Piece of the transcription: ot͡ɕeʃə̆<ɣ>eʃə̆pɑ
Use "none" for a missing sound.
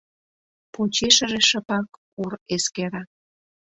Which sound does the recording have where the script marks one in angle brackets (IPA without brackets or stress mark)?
ʒ